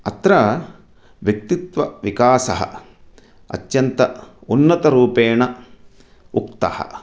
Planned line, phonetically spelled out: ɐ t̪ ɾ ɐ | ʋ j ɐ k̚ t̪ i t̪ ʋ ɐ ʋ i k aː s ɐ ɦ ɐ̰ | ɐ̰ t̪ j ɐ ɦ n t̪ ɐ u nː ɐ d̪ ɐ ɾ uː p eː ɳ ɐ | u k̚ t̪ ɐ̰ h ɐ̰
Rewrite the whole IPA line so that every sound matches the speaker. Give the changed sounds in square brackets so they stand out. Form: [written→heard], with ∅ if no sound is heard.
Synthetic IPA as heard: ɐ t̪ ɾ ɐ | ʋ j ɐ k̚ t̪ i t̪ ʋ ɐ ʋ i k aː s ɐ ɦ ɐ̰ | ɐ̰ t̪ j ɐ [ɦ→∅] n t̪ ɐ u nː ɐ [d̪→t̪] ɐ ɾ uː p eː ɳ ɐ | u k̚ t̪ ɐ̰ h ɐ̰